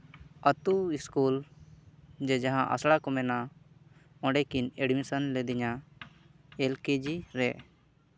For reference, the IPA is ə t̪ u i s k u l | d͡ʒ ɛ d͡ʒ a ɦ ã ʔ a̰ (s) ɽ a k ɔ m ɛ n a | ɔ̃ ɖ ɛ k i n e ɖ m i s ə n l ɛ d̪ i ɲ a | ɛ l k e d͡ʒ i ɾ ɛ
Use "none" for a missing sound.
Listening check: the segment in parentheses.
s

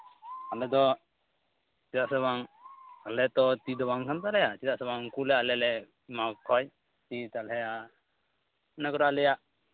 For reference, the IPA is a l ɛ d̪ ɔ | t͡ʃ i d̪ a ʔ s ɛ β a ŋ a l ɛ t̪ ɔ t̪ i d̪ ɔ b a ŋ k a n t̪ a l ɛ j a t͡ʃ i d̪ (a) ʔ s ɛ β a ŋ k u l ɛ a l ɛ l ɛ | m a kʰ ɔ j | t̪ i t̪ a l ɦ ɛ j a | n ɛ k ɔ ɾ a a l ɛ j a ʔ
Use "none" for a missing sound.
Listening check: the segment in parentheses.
a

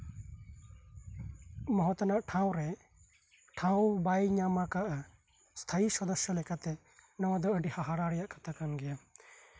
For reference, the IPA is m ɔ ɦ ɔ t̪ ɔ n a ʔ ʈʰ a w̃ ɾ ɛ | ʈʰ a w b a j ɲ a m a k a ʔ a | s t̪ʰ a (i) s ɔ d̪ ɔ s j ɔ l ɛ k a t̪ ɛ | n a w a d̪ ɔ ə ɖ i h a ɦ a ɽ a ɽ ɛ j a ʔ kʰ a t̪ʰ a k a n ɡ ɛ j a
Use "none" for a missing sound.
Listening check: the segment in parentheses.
i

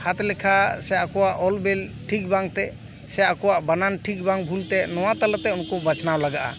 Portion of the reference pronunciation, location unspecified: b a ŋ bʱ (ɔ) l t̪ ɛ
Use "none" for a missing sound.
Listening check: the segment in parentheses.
u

